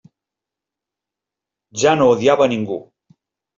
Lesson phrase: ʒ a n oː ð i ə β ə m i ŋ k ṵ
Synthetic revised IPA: ʒ a n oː ð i a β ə n i ŋ ɡ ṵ